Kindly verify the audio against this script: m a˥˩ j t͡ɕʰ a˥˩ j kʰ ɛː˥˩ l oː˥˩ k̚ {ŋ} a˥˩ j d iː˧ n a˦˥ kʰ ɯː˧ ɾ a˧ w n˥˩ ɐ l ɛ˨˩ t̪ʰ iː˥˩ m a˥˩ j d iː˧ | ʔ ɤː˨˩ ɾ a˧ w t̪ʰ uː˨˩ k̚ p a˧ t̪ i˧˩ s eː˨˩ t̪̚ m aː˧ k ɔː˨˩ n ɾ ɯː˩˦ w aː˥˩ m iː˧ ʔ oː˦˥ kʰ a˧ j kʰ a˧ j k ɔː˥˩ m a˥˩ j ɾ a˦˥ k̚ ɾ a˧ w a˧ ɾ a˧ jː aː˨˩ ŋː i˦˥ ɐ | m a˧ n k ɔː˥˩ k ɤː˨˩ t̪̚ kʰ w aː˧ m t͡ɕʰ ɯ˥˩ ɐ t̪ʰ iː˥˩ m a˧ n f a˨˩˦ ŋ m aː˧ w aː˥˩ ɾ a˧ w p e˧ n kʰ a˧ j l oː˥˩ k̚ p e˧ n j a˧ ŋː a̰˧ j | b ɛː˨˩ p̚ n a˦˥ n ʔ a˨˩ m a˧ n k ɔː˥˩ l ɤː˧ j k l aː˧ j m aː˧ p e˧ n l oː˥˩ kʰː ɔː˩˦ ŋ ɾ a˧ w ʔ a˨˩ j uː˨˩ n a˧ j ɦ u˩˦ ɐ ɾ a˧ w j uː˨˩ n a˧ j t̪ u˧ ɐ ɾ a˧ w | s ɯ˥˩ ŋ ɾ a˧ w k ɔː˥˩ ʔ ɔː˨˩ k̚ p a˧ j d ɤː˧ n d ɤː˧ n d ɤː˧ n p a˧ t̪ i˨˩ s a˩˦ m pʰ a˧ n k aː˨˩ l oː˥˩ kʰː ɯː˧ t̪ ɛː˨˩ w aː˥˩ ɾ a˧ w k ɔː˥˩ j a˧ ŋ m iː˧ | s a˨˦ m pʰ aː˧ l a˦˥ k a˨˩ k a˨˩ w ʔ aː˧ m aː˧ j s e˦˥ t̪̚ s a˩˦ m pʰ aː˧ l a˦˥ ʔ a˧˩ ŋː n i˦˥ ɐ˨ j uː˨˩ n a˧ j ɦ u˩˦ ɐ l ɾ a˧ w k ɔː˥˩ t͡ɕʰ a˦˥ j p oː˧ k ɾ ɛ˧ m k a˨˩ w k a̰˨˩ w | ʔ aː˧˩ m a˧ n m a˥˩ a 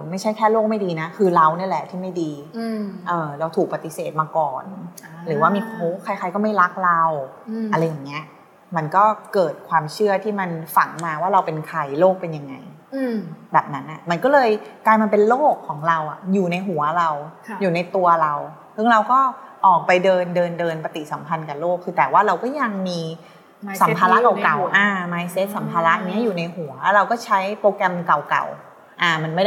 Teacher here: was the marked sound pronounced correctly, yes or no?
no